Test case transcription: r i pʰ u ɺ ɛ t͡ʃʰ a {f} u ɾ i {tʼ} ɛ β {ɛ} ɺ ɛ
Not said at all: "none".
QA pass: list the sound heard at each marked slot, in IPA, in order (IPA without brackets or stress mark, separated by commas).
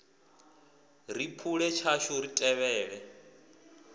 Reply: ʃ, tʼ, ɛː